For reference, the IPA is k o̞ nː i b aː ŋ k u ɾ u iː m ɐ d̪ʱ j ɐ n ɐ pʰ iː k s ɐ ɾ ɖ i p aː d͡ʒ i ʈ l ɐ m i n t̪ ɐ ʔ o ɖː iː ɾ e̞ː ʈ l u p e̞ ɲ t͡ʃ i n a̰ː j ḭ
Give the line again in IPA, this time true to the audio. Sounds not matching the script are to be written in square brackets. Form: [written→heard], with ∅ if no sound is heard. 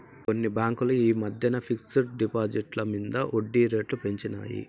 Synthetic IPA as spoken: k o̞ nː i b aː ŋ k u [ɾ→l] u iː m ɐ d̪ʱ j ɐ n ɐ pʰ [iː→i] k s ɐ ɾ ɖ i p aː d͡ʒ i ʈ l ɐ m i n [t̪→d̪] ɐ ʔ o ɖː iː ɾ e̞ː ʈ l u p e̞ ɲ t͡ʃ i n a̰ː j ḭ